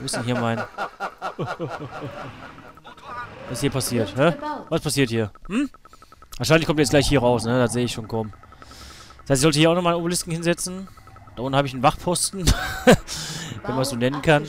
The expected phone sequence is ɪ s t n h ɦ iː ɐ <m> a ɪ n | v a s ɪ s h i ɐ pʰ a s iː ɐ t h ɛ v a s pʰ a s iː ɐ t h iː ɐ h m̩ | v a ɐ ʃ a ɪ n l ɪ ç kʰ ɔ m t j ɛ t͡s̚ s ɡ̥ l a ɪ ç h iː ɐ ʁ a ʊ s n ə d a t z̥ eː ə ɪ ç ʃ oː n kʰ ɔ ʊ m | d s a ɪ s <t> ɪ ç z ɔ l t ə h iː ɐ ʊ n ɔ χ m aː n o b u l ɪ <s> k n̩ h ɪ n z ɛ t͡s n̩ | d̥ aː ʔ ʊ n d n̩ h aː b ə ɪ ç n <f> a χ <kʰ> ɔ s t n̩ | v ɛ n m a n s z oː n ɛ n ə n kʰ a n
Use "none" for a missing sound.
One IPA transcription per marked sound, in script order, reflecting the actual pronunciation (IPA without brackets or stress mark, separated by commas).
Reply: m, t, s, v, pʰ